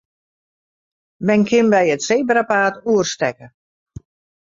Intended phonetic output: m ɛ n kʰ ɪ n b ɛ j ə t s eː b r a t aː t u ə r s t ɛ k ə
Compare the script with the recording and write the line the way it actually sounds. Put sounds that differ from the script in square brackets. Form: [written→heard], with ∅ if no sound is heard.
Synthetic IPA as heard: m ɛ n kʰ ɪ n b ɛ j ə t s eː b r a [t→p] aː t u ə r s t ɛ k ə